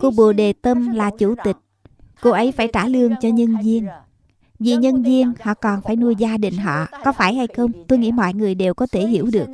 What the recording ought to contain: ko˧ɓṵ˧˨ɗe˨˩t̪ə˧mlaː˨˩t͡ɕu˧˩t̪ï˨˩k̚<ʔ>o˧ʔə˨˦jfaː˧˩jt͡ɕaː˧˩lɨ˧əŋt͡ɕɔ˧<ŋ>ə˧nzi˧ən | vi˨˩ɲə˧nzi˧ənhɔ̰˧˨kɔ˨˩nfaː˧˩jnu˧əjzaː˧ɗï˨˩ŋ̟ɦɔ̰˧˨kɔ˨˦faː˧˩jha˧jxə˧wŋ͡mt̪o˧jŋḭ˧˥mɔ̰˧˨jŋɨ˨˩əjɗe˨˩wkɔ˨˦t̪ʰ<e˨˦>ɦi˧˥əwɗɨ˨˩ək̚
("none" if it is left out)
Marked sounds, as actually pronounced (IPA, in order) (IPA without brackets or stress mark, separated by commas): k, ɲ, e˧˩